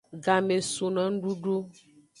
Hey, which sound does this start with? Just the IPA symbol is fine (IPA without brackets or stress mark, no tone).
ɡ